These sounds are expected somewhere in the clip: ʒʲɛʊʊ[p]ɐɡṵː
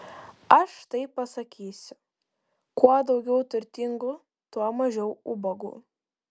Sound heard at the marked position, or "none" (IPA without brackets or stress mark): b